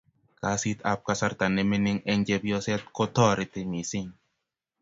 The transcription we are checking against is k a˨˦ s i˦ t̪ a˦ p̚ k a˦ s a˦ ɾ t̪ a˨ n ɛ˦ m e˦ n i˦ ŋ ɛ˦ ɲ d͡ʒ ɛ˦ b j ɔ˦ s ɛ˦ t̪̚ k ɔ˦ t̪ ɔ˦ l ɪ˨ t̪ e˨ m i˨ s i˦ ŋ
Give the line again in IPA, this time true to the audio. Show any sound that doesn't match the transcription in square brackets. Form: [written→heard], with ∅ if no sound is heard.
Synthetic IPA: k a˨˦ s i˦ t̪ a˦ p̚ k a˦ s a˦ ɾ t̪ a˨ n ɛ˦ m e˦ n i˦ ŋ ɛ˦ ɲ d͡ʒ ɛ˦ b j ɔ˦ s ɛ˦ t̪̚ k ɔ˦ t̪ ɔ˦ [l→ɾ] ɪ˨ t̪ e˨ m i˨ s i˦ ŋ